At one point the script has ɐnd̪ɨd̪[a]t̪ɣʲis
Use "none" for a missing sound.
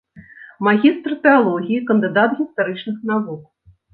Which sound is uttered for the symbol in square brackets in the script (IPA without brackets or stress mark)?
a